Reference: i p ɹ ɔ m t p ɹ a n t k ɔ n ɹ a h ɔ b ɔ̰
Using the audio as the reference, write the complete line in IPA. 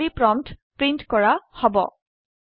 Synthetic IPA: i p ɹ ɔ m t p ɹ i n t k ɔ ɹ a h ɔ b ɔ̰